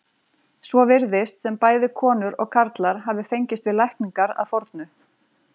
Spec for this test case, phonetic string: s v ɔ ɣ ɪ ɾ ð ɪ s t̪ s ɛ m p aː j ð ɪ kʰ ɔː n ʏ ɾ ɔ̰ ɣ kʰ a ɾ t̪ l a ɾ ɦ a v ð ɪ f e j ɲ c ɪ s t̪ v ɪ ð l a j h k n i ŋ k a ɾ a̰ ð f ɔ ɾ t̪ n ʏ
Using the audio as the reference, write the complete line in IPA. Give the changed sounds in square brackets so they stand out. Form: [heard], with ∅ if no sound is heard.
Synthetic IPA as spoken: s v ɔ [v] ɪ ɾ ð ɪ s t̪ s ɛ m p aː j ð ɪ kʰ ɔː n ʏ ɾ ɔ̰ ɣ kʰ a ɾ t̪ l a ɾ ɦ a v ð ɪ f e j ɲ c ɪ s t̪ v ɪ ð l a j h k n i ŋ k a ɾ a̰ ð f ɔ ɾ t̪ n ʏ